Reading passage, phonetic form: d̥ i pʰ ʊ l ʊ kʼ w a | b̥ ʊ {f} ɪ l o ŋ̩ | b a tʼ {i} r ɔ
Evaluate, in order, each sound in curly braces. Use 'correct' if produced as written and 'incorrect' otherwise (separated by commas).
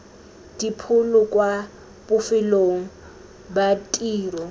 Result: correct, incorrect